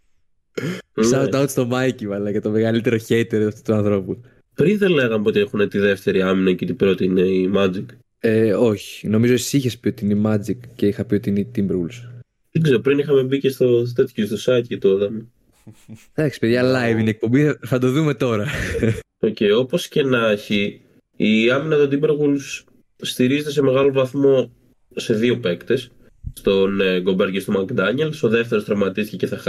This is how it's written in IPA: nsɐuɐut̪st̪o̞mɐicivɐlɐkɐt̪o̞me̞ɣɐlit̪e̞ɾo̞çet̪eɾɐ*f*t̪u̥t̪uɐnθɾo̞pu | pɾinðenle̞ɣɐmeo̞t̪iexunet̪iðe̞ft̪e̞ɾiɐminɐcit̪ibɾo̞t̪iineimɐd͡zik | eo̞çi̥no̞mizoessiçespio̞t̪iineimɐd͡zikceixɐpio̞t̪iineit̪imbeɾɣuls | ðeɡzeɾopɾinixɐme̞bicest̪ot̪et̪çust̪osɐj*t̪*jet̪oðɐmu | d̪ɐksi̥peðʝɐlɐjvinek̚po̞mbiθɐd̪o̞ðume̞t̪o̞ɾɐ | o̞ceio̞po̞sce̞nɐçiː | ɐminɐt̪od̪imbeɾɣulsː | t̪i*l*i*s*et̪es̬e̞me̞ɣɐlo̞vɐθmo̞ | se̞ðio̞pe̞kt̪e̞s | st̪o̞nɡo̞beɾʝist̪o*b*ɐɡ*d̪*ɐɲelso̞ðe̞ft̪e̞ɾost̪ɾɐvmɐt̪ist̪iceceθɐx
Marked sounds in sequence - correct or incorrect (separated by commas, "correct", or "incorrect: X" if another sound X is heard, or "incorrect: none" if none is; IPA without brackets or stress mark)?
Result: correct, correct, incorrect: ɾ, incorrect: z, incorrect: m, correct